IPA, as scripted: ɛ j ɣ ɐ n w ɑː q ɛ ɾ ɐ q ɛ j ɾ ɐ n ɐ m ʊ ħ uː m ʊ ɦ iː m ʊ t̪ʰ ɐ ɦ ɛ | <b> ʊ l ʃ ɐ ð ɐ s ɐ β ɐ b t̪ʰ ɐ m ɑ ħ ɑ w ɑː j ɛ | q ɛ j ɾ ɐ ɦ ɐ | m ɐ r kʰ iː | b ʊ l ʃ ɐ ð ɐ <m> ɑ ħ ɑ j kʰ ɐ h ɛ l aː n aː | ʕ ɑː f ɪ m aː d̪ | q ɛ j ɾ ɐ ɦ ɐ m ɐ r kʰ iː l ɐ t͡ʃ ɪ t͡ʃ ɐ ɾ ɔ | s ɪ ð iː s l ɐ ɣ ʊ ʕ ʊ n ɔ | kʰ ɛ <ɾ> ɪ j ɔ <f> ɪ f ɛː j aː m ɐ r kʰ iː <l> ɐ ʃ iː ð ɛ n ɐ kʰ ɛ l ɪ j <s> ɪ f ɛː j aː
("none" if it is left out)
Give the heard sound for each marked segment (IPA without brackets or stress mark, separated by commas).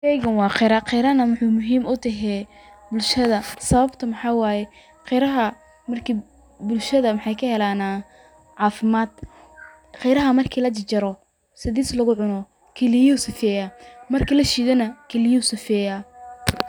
b, m, l, s, l, s